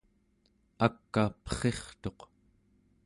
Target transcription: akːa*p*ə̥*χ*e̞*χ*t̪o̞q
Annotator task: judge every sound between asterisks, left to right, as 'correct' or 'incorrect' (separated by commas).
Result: correct, correct, correct